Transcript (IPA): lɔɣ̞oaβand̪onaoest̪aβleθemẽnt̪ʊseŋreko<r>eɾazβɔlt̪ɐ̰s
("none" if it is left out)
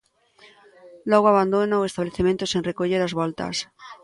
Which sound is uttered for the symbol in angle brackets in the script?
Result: ʎ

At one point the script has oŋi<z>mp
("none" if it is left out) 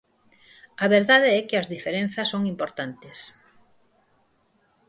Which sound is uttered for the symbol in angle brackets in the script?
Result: none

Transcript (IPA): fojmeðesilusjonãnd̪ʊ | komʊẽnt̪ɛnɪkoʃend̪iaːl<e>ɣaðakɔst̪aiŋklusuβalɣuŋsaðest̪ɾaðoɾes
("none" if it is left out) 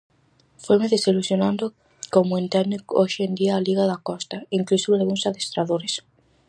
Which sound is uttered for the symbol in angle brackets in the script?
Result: i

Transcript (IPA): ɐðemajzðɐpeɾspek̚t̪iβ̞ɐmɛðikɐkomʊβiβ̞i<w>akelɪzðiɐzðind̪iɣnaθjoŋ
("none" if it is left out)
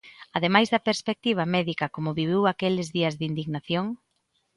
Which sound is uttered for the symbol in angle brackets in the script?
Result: w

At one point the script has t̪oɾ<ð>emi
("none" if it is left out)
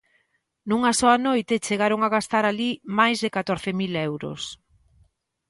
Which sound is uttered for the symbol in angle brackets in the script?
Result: θ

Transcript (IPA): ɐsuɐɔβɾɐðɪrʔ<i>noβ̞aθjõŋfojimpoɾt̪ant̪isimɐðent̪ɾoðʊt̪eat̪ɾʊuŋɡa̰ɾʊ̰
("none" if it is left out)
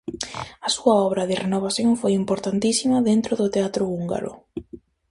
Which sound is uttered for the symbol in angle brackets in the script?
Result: e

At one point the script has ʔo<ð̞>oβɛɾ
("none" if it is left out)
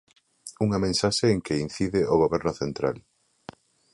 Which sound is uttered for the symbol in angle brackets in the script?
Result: ɣ̞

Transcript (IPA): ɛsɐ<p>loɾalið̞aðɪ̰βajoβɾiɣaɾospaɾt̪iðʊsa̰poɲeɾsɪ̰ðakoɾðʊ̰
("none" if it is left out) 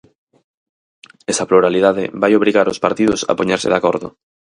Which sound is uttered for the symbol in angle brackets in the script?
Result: p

